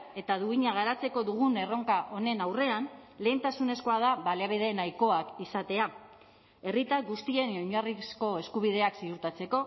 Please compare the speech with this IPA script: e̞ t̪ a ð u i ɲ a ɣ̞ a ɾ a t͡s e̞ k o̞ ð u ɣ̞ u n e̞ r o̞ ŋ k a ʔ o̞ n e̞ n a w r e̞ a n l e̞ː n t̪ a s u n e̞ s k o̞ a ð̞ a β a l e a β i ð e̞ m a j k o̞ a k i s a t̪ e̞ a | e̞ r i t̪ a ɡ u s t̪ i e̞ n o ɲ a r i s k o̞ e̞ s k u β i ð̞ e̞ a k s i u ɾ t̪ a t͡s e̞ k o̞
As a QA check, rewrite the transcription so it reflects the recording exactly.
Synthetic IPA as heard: e̞ t̪ a ð u i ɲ a ɣ̞ a ɾ a t͡s e̞ k o̞ ð u ɣ̞ u n e̞ r o̞ ŋ k a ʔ o̞ n e̞ n a w r e̞ a n l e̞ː n t̪ a s u n e̞ s k o̞ a ð̞ a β a l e a β i ð e̞ n a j k o̞ a k i s a t̪ e̞ a | e̞ r i t̪ a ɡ u s t̪ i e̞ n o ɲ a r i s k o̞ e̞ s k u β i ð̞ e̞ a k s i u ɾ t̪ a t͡s e̞ k o̞